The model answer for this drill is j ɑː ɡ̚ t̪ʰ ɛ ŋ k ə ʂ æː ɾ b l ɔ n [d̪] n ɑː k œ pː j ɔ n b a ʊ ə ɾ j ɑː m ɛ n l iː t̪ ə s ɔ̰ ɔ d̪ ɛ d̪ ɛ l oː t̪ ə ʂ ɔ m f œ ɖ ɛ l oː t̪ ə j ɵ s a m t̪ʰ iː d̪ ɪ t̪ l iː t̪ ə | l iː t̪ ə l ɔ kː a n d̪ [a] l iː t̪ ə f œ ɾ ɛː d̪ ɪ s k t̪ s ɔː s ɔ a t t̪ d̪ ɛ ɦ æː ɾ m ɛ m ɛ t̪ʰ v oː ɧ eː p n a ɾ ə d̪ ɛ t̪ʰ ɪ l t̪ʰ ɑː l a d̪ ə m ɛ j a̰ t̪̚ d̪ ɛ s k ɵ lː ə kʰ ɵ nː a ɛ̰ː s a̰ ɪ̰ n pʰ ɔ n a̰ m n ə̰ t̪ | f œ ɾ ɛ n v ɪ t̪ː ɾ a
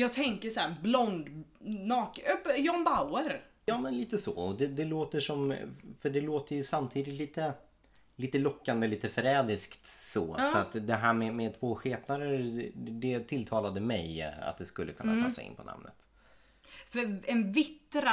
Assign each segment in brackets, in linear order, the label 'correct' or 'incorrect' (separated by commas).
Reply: correct, incorrect